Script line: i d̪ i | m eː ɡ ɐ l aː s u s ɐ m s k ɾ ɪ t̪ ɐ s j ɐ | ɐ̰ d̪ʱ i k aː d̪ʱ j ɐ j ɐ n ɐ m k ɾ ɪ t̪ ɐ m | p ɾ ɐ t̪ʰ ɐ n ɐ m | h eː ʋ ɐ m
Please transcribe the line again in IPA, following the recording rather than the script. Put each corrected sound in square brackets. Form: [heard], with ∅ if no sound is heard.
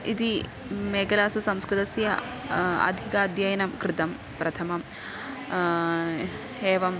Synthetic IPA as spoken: i d̪ i | m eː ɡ ɐ l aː s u s ɐ m s k ɾ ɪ t̪ ɐ s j ɐ | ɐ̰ d̪ʱ i k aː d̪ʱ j ɐ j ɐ n ɐ m k ɾ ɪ t̪ ɐ m | p ɾ ɐ t̪ʰ ɐ [m] ɐ m | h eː ʋ ɐ m